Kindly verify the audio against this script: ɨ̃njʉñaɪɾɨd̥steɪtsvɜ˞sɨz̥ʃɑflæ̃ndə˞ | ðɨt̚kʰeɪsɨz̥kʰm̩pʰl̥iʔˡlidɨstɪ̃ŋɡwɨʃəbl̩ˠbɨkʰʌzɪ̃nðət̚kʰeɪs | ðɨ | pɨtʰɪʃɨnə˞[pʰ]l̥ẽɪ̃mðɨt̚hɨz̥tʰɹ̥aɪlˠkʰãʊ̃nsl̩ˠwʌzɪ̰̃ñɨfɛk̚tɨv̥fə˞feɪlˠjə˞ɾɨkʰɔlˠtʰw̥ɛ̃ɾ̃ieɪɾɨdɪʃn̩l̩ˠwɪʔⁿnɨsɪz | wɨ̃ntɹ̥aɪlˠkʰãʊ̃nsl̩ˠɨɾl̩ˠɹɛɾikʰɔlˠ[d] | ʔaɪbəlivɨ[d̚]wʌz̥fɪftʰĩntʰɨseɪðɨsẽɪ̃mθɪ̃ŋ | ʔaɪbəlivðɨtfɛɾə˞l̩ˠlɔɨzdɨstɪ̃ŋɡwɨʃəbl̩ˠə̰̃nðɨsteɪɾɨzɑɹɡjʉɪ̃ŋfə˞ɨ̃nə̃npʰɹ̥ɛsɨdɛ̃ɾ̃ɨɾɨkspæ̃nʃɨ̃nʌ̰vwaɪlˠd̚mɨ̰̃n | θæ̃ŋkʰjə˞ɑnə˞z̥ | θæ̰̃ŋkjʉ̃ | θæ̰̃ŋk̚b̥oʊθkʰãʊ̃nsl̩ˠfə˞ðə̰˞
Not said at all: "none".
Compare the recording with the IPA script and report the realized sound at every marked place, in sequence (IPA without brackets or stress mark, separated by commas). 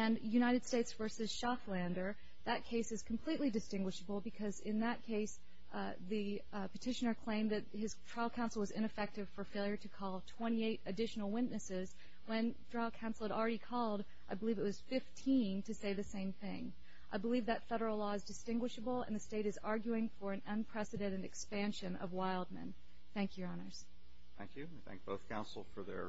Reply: kʰ, d, t̚